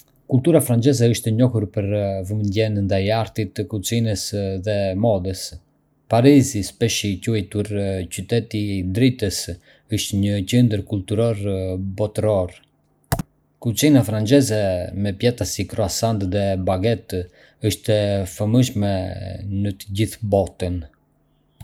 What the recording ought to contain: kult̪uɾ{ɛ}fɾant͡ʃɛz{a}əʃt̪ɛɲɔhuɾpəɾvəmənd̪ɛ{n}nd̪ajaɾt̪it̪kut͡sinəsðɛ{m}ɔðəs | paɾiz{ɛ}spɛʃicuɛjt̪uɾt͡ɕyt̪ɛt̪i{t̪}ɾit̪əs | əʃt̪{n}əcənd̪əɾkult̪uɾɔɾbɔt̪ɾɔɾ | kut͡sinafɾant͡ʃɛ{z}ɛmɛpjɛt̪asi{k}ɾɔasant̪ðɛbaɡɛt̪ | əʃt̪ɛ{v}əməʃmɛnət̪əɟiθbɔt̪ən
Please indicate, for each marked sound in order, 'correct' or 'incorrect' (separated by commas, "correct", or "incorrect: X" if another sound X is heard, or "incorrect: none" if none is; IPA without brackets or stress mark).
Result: incorrect: a, incorrect: ɛ, correct, correct, incorrect: i, incorrect: d̪, incorrect: ɲ, correct, correct, incorrect: f